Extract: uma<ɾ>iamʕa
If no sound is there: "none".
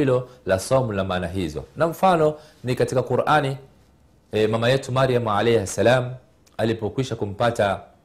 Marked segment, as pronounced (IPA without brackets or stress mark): ɾ